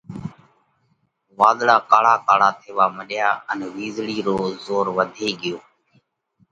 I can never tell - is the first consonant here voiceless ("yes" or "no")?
no